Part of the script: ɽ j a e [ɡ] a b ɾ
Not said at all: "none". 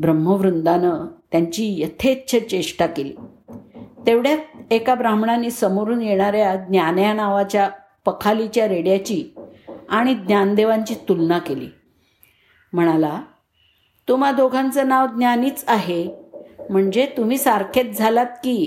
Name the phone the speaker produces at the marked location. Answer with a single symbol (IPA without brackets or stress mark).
k